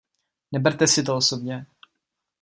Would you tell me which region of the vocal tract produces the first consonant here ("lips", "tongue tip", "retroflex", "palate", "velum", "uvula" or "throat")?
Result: tongue tip